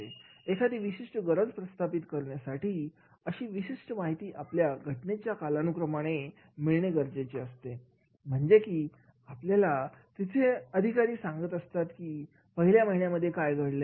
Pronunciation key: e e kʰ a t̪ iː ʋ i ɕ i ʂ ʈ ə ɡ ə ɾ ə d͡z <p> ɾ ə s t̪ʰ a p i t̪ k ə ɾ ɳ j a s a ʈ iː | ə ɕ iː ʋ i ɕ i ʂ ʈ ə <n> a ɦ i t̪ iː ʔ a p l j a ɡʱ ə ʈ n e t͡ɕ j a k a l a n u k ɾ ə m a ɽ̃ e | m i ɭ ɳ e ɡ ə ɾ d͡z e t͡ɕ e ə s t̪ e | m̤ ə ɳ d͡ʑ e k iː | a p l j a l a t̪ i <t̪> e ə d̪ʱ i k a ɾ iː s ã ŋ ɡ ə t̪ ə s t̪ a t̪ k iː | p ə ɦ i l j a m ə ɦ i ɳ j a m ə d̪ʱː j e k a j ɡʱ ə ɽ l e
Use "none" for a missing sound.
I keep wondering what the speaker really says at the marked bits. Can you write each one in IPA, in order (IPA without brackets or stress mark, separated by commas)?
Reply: p, m, t̪ʰ